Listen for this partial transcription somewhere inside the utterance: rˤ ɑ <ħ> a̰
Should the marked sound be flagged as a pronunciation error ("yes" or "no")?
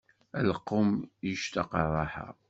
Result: no